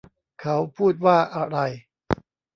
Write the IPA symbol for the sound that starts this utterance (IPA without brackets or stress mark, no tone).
kʰ